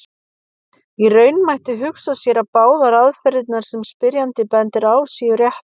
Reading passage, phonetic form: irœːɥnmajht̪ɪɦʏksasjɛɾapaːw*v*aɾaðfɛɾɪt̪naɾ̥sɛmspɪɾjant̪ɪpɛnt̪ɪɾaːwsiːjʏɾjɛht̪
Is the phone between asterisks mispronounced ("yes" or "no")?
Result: yes